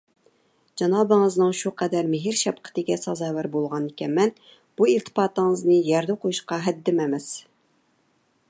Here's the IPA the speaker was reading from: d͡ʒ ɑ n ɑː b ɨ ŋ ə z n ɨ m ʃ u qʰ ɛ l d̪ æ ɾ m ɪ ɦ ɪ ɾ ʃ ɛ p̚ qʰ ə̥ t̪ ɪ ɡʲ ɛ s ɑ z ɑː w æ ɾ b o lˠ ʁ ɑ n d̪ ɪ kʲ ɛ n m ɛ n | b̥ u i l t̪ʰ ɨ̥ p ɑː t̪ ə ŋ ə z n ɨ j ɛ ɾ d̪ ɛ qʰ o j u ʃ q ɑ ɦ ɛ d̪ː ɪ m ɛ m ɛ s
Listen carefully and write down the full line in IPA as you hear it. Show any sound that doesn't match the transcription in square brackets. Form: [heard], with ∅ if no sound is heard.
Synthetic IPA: d͡ʒ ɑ n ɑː b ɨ ŋ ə z n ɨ [ŋ] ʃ u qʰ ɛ [∅] d̪ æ ɾ m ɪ ɦ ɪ ɾ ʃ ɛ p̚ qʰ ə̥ t̪ ɪ ɡʲ ɛ s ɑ z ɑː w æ ɾ b o lˠ ʁ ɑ n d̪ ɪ kʲ ɛ n m ɛ n | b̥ u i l t̪ʰ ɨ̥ p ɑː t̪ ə ŋ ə z n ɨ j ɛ ɾ d̪ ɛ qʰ o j u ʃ q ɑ ɦ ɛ d̪ː ɪ m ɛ m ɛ s

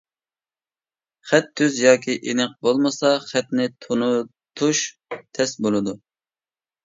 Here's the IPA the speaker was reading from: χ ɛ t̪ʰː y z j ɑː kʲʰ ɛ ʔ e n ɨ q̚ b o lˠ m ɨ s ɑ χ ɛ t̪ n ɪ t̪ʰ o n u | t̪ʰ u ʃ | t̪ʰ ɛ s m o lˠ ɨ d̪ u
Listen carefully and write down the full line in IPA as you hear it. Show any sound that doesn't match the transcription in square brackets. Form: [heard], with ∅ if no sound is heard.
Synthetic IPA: χ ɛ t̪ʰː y z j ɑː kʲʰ [i] ʔ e n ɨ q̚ b o lˠ m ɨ s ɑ χ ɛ t̪ n ɪ t̪ʰ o n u | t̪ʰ u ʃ | t̪ʰ ɛ s [b] o lˠ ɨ d̪ u

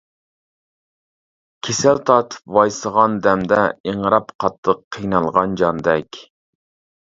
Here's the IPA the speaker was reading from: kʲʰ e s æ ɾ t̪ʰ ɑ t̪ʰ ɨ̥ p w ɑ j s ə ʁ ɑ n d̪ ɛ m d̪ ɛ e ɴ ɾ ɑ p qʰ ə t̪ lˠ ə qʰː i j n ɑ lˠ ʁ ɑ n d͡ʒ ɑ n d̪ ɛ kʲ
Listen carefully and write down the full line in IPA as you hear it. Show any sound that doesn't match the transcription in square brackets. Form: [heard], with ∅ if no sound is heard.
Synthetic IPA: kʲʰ e s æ [l] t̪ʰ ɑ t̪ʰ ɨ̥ p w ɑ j s ə ʁ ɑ n d̪ ɛ m d̪ ɛ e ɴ ɾ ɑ p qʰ [ɑ] t̪ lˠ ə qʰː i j n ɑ lˠ ʁ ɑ n d͡ʒ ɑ n d̪ ɛ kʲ

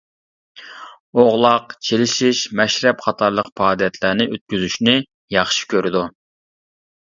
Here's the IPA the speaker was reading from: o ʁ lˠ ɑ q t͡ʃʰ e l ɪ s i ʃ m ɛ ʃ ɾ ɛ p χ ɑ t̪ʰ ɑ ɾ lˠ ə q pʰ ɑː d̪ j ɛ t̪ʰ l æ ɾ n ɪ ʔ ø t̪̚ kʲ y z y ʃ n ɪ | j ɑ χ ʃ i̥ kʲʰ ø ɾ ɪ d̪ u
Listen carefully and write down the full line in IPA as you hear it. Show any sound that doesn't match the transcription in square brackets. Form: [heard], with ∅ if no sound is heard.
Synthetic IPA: o ʁ lˠ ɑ q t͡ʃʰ e l ɪ [ʃ] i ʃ m ɛ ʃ ɾ ɛ p χ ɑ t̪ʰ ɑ ɾ lˠ ə q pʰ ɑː d̪ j ɛ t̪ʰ l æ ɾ n ɪ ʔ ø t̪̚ kʲ y z y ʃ n ɪ | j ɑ χ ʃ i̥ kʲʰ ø ɾ ɪ d̪ u

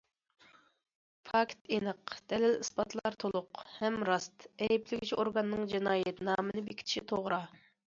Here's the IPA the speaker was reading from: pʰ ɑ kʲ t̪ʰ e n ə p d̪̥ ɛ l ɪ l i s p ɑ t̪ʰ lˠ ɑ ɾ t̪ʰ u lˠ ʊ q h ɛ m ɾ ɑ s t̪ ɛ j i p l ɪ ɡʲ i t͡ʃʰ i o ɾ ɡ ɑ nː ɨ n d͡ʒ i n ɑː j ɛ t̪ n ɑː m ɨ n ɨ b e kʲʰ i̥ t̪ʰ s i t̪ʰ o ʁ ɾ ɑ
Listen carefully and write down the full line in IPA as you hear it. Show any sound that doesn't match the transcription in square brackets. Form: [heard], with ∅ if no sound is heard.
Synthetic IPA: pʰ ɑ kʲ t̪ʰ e n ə [q] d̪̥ ɛ l ɪ l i s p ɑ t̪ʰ lˠ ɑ ɾ t̪ʰ [o] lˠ ʊ q h ɛ m ɾ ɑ s t̪ ɛ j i p l ɪ ɡʲ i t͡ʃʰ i o ɾ ɡ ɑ nː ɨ [ŋ] d͡ʒ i n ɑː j ɛ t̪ n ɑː m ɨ n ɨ b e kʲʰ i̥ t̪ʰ [ʃ] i t̪ʰ o ʁ ɾ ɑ

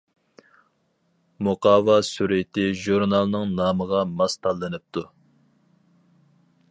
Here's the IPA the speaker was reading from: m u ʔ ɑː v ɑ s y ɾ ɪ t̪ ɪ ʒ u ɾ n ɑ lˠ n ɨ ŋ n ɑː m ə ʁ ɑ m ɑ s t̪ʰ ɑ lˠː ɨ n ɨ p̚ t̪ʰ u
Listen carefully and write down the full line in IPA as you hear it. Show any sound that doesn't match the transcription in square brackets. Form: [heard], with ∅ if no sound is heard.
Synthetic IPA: m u [q] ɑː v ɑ s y ɾ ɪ t̪ ɪ ʒ u ɾ n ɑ lˠ n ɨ ŋ n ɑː m ə ʁ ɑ m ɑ s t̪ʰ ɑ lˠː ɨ n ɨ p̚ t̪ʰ u

